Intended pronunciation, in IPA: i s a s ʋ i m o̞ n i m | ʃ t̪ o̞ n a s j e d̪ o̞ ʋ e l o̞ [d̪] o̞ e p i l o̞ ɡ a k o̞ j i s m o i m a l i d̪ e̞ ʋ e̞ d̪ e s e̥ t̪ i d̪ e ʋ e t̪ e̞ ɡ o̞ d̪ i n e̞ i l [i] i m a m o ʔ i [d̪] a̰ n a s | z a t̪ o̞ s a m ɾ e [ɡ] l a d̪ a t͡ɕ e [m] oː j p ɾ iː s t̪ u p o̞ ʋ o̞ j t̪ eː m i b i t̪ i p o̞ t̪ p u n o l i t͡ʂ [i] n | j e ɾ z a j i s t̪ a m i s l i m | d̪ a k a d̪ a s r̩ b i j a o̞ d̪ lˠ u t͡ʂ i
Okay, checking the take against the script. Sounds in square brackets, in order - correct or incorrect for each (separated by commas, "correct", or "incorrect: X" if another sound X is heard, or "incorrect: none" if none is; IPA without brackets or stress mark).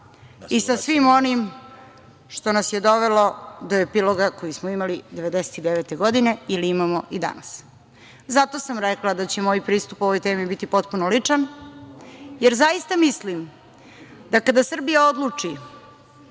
correct, correct, correct, incorrect: k, correct, incorrect: a